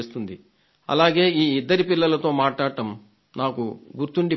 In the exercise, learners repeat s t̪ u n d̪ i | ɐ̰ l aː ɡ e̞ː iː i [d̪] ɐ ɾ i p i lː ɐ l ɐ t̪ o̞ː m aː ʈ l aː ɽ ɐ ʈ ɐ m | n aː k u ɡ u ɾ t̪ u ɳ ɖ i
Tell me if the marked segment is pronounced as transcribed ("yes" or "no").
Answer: no